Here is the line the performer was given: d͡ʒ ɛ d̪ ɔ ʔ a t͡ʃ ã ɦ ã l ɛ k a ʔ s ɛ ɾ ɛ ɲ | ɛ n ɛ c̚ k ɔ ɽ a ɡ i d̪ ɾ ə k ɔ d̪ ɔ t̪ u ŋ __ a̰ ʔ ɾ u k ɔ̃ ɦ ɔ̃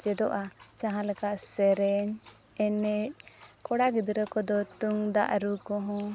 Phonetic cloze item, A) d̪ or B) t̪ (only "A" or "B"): A